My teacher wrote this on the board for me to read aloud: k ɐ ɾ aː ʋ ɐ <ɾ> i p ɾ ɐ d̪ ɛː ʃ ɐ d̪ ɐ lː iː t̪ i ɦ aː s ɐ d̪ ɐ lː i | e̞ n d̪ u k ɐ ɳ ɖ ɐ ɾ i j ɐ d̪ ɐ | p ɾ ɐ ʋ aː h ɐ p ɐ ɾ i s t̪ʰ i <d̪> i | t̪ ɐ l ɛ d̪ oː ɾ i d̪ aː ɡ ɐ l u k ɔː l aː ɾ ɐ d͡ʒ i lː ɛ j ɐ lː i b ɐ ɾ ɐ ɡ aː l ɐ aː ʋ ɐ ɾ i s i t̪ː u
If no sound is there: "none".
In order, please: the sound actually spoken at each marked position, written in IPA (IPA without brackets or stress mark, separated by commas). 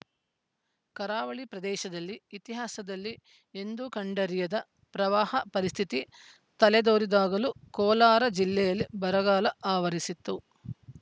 ɭ, t̪